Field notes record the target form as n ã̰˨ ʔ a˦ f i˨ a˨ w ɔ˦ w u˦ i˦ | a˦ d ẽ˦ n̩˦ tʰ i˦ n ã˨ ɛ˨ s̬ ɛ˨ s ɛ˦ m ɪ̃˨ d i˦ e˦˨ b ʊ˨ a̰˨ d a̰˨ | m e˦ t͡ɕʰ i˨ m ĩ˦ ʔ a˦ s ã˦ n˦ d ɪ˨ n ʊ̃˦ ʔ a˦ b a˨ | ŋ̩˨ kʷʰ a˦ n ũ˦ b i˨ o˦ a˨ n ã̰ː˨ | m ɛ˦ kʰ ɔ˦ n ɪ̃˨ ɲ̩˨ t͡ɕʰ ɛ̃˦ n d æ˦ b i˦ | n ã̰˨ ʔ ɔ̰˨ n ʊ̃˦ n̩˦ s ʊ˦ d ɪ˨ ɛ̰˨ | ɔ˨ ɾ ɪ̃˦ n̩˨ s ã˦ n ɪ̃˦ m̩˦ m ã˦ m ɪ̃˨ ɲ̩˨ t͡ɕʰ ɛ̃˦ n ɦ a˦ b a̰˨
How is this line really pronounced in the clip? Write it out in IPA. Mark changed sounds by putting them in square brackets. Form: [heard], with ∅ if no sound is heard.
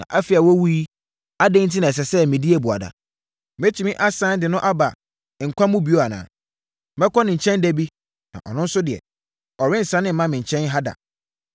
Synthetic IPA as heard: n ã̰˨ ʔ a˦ f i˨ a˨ w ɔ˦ w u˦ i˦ | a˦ d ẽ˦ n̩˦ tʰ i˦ n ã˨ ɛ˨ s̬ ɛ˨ s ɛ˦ m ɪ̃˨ d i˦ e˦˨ b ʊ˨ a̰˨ d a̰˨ | m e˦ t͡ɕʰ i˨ m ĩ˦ ʔ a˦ s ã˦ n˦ d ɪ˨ n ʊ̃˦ ʔ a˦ b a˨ | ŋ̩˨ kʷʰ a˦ [m] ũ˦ b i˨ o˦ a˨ n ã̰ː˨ | m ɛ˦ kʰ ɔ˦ n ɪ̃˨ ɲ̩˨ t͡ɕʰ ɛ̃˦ n d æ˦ b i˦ | n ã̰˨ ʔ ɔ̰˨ n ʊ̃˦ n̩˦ s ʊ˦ d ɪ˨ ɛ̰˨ | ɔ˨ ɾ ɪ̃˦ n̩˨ s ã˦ n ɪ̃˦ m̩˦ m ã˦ m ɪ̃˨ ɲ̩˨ t͡ɕʰ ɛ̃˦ n ɦ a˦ [d] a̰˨